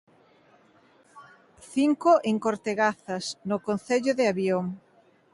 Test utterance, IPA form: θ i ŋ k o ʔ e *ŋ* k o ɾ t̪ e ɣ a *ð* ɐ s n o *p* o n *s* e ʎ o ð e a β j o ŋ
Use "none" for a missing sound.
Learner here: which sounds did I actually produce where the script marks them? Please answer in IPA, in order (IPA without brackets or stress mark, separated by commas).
ŋ, θ, k, θ